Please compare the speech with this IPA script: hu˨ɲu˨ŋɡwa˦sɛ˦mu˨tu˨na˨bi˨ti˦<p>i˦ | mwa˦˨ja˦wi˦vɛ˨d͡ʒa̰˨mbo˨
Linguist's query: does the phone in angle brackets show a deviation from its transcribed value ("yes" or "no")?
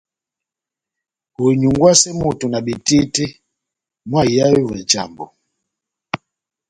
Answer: yes